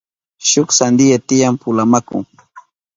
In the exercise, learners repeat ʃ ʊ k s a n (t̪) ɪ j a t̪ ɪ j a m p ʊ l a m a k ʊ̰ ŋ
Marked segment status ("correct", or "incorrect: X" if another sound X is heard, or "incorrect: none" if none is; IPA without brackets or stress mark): incorrect: d̪